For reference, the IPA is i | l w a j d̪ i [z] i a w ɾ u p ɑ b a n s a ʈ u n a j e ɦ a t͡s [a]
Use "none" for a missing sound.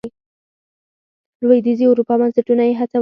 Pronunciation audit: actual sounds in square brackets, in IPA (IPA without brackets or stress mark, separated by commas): z, a